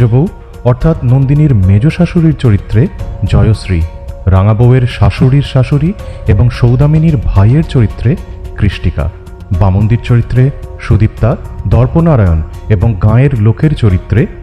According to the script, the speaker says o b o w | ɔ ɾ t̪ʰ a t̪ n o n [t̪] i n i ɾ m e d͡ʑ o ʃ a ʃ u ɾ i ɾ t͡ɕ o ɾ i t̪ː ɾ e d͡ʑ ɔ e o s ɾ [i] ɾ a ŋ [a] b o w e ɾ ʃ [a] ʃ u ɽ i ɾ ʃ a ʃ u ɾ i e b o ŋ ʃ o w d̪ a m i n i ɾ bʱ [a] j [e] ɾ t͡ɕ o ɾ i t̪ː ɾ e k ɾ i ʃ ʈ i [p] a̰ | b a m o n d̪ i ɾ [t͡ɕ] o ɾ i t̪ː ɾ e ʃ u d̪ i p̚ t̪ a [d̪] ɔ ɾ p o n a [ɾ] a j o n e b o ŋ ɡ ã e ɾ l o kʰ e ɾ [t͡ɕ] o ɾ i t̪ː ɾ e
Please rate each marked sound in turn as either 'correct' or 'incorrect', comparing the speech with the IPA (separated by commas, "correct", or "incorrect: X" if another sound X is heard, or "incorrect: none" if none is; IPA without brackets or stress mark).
incorrect: d̪, correct, correct, correct, correct, correct, incorrect: k, correct, correct, correct, correct